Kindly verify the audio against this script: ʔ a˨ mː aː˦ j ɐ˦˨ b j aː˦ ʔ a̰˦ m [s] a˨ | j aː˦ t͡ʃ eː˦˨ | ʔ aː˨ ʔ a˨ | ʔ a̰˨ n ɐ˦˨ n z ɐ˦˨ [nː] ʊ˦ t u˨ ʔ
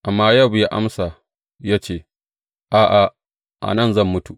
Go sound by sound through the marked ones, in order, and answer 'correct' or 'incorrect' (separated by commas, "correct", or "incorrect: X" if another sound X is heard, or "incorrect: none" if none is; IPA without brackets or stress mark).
correct, incorrect: mː